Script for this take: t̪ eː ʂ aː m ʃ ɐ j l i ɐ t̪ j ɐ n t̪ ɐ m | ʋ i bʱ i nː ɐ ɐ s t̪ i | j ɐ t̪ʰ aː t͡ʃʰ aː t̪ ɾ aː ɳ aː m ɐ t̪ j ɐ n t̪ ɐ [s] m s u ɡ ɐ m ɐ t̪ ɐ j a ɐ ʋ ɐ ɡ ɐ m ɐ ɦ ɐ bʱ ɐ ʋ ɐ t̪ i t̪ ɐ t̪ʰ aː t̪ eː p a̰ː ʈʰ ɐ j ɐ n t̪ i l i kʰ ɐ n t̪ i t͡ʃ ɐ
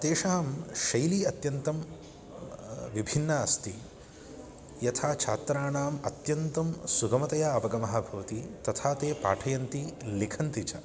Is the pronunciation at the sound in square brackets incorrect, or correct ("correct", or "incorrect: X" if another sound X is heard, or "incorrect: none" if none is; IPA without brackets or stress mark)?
incorrect: none